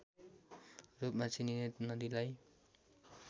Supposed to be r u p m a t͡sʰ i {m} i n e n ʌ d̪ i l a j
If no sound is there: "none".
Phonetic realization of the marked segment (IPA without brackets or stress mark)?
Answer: n